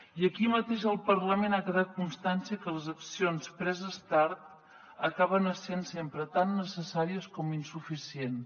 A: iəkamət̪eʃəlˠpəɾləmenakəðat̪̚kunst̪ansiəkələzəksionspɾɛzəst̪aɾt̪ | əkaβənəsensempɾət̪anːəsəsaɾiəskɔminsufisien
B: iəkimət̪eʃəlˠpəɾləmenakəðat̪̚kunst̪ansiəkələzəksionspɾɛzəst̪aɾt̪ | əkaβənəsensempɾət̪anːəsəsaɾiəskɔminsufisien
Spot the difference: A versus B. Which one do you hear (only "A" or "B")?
B